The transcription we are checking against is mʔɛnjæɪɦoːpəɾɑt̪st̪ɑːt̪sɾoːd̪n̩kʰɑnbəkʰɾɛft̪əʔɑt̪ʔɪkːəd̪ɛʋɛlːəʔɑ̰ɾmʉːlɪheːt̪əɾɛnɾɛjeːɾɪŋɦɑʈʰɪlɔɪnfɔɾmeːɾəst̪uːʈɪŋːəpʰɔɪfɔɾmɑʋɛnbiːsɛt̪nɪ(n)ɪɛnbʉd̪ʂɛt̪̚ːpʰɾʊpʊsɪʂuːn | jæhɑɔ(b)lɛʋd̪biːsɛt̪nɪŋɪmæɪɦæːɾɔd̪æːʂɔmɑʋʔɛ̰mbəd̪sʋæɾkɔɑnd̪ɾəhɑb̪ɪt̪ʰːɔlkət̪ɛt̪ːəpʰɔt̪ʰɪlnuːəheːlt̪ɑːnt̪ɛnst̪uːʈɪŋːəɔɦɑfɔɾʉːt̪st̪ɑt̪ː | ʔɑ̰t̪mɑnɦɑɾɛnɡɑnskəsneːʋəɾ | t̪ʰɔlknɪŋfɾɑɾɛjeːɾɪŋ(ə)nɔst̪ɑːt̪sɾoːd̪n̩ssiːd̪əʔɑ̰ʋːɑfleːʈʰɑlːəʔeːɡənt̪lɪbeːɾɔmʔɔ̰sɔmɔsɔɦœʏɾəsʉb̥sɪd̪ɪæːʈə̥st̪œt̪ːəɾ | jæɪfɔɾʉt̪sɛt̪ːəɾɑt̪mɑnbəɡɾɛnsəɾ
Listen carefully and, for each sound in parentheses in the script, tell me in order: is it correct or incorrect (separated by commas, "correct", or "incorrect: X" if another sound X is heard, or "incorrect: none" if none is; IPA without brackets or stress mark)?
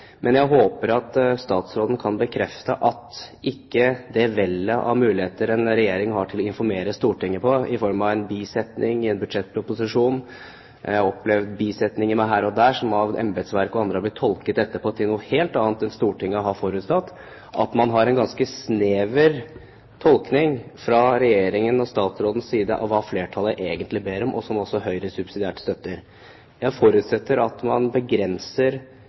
incorrect: ŋ, incorrect: p, correct